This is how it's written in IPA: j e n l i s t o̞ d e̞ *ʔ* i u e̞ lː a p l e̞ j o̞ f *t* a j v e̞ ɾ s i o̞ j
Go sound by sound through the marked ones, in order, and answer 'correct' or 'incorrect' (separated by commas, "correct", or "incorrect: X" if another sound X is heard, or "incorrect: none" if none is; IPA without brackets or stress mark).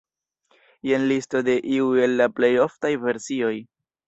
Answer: correct, correct